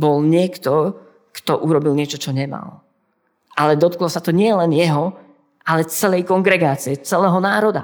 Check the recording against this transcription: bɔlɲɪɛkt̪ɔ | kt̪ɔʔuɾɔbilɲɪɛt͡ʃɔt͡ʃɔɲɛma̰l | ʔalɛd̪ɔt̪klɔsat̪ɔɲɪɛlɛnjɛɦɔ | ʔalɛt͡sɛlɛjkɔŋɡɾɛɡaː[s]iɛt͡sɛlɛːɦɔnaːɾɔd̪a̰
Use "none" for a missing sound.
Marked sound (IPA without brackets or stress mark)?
t͡s